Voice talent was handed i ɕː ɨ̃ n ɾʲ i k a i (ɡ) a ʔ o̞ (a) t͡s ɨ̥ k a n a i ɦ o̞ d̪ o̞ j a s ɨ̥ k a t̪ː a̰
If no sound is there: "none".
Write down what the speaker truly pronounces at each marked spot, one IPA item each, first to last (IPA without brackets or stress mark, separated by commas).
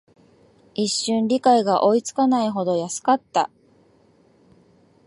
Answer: ɡ, i